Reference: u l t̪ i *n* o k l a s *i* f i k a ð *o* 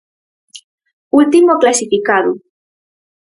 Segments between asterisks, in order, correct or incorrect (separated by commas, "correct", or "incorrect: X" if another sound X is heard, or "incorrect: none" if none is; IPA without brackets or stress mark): incorrect: m, correct, incorrect: u